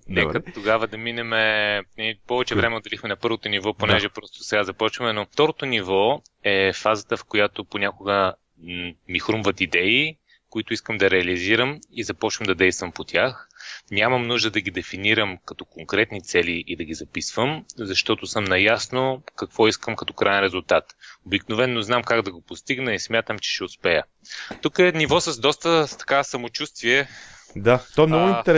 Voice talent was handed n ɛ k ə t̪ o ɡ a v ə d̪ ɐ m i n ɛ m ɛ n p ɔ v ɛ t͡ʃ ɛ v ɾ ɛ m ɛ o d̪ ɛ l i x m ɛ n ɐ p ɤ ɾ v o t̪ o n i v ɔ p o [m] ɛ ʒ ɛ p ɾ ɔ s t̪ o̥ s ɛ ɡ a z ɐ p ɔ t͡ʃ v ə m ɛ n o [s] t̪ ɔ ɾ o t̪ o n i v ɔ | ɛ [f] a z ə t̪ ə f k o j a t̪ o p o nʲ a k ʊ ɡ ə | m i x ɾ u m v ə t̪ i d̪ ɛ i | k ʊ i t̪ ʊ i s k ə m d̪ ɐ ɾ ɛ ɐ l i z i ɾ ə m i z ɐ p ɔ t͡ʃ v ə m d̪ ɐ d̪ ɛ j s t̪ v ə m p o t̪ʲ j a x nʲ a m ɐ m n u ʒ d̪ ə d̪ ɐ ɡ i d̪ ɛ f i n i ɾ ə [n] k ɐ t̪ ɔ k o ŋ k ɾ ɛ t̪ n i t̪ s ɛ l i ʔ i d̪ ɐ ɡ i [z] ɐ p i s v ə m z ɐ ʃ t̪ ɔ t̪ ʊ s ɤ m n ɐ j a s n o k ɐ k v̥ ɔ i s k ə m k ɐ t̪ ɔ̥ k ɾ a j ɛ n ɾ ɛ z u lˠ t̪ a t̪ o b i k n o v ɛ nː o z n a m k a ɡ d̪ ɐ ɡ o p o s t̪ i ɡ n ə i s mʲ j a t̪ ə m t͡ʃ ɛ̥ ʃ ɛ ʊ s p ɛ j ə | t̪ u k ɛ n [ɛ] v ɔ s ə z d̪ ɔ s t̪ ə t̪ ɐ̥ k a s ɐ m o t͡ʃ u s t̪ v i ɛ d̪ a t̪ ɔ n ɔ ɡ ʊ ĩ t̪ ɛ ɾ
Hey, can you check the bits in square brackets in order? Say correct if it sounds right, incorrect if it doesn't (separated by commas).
incorrect, incorrect, correct, incorrect, correct, incorrect